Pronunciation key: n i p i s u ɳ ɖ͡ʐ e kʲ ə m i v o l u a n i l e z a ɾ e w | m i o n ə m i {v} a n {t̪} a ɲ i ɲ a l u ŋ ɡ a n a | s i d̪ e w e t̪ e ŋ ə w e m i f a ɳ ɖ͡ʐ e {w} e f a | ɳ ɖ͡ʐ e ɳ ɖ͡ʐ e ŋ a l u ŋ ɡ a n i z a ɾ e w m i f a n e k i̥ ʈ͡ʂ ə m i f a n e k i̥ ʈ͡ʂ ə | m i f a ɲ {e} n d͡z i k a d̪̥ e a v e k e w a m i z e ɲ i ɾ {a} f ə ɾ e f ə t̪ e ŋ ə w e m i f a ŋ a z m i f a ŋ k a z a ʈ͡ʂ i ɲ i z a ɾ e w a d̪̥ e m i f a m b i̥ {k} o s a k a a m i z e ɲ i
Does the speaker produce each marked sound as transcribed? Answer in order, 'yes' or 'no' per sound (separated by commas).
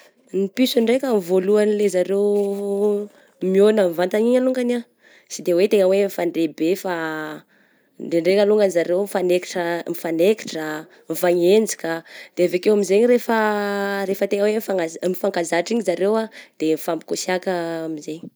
yes, yes, no, yes, no, yes